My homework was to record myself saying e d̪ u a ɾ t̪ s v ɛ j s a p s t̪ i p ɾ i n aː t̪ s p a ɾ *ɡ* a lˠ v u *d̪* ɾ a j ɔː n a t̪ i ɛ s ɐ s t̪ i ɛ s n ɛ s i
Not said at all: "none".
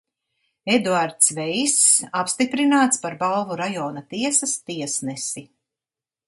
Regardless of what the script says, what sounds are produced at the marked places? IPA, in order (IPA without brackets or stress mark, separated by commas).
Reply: b, none